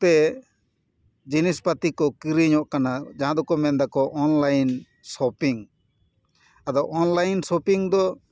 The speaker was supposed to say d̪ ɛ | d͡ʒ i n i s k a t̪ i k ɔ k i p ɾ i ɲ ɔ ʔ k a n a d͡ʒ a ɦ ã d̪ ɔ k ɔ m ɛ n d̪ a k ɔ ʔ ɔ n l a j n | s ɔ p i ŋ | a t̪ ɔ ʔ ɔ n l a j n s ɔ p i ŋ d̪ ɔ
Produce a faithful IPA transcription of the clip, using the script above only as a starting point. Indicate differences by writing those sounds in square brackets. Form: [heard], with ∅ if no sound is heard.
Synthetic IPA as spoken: [t̪] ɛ | d͡ʒ i n i s [p] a t̪ i k ɔ k i [∅] ɾ i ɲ ɔ ʔ k a n a d͡ʒ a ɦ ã d̪ ɔ k ɔ m ɛ n d̪ a k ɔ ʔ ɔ n l a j n | s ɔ p i ŋ | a [d̪] ɔ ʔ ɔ n l a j n s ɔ p i ŋ d̪ ɔ

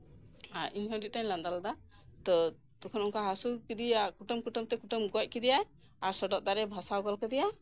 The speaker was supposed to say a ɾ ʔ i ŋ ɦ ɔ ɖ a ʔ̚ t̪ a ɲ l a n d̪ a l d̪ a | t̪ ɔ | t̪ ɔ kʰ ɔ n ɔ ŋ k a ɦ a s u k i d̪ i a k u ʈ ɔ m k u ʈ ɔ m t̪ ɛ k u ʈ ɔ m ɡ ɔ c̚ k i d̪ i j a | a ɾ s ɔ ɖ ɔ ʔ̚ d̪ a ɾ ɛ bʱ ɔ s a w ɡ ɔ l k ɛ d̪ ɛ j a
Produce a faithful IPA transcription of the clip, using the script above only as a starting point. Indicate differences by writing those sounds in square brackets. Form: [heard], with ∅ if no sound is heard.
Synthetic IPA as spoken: a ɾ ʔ i [ɲ] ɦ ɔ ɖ [i] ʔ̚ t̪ a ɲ l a n d̪ a l d̪ a | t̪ ɔ | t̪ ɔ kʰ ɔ n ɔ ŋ k a ɦ a s u k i d̪ i a k u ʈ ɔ m k u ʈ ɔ m t̪ ɛ k u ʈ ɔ m ɡ ɔ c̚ k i d̪ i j a | a ɾ s ɔ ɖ ɔ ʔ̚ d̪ a ɾ ɛ bʱ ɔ s a w ɡ ɔ l k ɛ d̪ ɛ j a

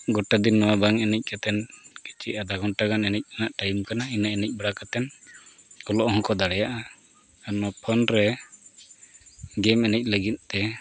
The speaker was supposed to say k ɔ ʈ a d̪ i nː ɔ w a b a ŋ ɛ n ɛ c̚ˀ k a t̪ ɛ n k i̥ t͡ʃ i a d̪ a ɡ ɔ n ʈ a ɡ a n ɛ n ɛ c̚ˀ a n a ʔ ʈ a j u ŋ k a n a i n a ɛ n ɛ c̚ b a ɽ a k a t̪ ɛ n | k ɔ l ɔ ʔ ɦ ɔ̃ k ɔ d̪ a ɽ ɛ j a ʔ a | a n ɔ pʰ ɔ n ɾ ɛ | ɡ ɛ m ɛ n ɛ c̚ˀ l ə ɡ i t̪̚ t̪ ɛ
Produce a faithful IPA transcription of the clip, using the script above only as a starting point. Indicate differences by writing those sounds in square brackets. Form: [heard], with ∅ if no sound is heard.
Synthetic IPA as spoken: [ɡ] ɔ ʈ a d̪ i nː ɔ w a b a ŋ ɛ n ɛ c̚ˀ k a t̪ ɛ n k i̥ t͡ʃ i a d̪ a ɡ ɔ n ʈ a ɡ a n ɛ n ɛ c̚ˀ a n a ʔ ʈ a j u [m] k a n a i n a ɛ n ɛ c̚ b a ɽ a k a t̪ ɛ n | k ɔ l ɔ ʔ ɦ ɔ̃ k ɔ d̪ a ɽ ɛ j a ʔ a | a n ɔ pʰ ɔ n ɾ ɛ | ɡ ɛ m ɛ n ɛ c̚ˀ l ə ɡ i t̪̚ t̪ ɛ

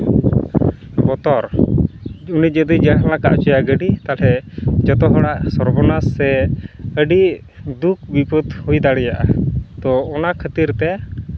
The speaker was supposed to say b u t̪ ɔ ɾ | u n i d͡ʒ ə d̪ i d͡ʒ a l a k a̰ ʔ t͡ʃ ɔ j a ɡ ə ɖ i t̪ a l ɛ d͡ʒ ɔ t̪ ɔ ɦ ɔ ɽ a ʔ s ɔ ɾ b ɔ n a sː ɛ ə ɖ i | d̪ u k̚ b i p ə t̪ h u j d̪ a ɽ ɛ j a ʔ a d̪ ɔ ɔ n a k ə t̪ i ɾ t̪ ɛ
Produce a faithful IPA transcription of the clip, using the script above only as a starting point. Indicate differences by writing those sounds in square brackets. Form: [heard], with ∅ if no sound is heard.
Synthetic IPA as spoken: b [ɔ] t̪ ɔ ɾ | u n i d͡ʒ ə d̪ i d͡ʒ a l a k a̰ ʔ t͡ʃ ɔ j a ɡ ə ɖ i t̪ a l ɛ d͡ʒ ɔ t̪ ɔ ɦ ɔ ɽ a ʔ s ɔ ɾ b ɔ n a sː ɛ ə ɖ i | d̪ u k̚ b i p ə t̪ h u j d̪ a ɽ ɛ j a ʔ a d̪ ɔ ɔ n a [kʰ] ə t̪ i ɾ t̪ ɛ

